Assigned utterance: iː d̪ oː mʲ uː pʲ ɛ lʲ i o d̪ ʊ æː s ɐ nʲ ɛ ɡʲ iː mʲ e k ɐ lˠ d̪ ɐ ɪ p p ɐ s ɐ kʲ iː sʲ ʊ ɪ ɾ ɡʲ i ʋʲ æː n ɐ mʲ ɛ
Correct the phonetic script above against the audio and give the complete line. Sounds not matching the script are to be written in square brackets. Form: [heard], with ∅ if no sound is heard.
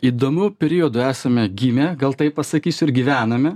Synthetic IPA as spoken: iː d̪ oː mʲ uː pʲ ɛ [ɾʲ] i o d̪ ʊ æː s ɐ [mʲ] ɛ ɡʲ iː mʲ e [ɡ] ɐ lˠ [t̪] ɐ ɪ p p ɐ s ɐ kʲ iː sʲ ʊ ɪ ɾ ɡʲ i ʋʲ æː n ɐ mʲ ɛ